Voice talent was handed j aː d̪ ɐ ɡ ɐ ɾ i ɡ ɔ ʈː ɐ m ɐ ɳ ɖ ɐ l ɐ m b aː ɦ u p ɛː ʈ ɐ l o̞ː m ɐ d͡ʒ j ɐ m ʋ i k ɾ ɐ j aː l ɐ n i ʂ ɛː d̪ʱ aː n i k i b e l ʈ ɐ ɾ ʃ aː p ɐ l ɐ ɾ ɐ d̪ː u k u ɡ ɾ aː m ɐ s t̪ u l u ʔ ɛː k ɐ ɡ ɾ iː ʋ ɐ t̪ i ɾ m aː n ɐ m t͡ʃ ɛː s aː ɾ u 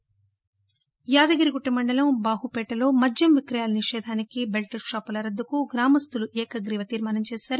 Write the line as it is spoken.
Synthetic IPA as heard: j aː d̪ ɐ ɡ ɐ ɾ i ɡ u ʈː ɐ m ɐ ɳ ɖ ɐ l ɐ m b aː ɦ u p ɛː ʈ ɐ l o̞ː m ɐ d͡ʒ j ɐ m ʋ i k ɾ ɐ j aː l ɐ n i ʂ ɛː d̪ʱ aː n i k i b e l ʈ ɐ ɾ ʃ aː p ɐ l ɐ ɾ ɐ d̪ː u k u ɡ ɾ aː m ɐ s t̪ u l u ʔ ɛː k ɐ ɡ ɾ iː ʋ ɐ t̪ iː ɾ m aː n ɐ m t͡ʃ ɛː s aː ɾ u